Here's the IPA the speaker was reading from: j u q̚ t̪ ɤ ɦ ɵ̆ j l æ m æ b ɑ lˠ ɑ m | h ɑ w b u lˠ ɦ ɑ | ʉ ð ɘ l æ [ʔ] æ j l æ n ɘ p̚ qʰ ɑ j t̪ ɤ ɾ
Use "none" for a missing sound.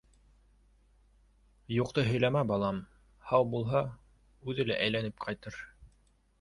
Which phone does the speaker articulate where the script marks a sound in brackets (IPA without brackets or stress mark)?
ʔ